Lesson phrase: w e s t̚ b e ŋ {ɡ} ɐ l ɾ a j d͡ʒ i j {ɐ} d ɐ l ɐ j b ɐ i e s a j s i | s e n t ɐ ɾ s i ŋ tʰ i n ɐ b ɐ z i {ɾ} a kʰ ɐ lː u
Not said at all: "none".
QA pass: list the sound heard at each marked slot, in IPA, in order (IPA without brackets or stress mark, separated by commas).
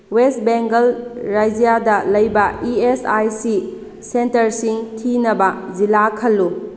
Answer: ɡ, a, l